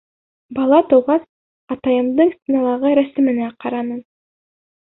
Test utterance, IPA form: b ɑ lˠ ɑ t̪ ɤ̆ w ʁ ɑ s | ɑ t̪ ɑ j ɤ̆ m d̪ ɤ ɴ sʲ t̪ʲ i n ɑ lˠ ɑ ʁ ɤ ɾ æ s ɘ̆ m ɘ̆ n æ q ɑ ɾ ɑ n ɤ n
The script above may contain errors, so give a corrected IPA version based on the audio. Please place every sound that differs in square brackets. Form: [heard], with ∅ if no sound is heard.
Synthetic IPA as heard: b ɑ lˠ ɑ t̪ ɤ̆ w ʁ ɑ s | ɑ t̪ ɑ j ɤ̆ m d̪ ɤ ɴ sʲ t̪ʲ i n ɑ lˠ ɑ ʁ ɤ ɾ æ s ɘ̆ m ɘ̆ n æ q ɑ ɾ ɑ n ɤ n